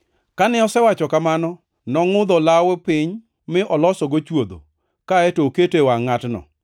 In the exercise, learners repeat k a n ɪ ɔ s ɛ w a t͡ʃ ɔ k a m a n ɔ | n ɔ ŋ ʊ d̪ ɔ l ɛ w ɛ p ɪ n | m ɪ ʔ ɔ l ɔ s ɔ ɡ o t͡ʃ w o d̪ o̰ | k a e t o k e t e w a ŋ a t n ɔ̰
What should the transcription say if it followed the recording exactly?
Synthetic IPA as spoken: k a n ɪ ɔ s ɛ w a t͡ʃ ɔ k a m a n ɔ | n ɔ ŋ ʊ d̪ ɔ l a w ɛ p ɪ ɲ | m ɪ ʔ ɔ l ɔ s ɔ ɡ o t͡ʃ w o d̪ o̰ | k a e t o k e t e w a ŋ a t n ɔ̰